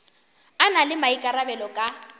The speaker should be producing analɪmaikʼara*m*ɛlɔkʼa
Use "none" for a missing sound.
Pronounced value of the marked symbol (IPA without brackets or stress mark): b